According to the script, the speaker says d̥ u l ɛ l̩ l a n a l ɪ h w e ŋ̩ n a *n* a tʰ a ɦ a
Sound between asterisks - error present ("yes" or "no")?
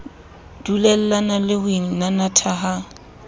no